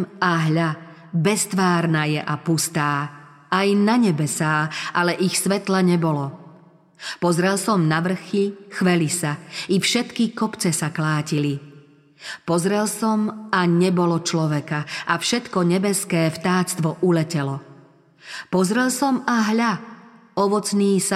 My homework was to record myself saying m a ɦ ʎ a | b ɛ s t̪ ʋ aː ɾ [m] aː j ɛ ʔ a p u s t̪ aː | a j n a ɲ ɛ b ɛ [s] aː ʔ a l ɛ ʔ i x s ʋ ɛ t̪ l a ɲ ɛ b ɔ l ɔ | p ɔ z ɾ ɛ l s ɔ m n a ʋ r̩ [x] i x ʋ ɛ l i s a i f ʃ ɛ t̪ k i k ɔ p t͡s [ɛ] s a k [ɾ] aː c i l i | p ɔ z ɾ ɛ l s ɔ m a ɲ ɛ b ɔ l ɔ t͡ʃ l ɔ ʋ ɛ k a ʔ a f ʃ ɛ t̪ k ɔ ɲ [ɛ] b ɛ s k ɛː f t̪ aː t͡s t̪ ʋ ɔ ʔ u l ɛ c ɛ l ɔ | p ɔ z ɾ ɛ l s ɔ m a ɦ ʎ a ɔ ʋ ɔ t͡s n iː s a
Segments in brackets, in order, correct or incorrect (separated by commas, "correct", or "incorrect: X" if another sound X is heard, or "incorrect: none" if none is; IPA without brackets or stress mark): incorrect: n, correct, correct, correct, incorrect: l, correct